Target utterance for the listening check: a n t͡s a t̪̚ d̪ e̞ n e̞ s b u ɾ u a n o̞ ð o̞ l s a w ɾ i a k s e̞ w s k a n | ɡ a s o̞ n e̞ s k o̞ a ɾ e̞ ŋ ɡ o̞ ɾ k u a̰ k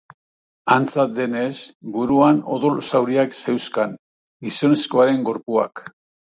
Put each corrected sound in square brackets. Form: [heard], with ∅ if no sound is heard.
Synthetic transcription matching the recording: a n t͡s a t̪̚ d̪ e̞ n e̞ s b u ɾ u a n o̞ ð o̞ l s a w ɾ i a k s e̞ w s k a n | ɡ [i] s o̞ n e̞ s k o̞ a ɾ e̞ ŋ ɡ o̞ ɾ [p] u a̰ k